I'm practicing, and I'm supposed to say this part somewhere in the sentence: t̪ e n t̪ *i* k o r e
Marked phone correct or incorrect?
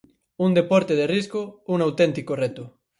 correct